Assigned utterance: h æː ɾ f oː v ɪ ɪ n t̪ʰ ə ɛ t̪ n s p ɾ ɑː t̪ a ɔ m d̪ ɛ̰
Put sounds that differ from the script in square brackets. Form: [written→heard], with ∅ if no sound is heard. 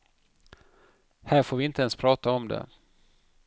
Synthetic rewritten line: h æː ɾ f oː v ɪ ɪ n [t̪ʰ→t̪] ə ɛ [t̪→∅] n s [p→pʰ] ɾ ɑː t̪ a ɔ m d̪ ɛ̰